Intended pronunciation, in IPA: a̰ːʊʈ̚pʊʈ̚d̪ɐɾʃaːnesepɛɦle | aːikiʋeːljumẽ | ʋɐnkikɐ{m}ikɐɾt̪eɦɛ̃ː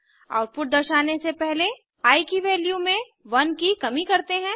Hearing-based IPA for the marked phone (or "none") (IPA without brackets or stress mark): m